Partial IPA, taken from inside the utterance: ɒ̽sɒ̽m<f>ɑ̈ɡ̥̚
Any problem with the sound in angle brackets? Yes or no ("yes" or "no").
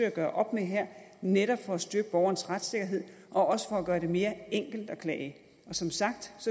yes